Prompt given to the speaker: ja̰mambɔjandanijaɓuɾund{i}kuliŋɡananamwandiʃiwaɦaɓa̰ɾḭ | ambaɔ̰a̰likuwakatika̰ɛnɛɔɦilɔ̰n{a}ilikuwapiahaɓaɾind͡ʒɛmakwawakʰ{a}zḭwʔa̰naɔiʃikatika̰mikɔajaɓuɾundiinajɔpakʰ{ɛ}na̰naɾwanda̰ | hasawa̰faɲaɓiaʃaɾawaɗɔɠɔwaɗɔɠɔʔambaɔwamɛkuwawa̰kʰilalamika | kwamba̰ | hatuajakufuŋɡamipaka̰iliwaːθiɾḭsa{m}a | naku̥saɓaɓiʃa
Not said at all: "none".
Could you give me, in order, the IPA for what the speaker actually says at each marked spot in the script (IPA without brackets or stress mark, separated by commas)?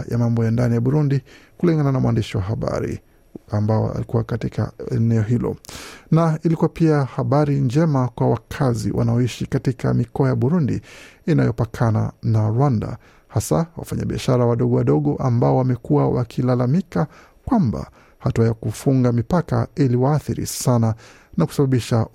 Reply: i, a, a, a, n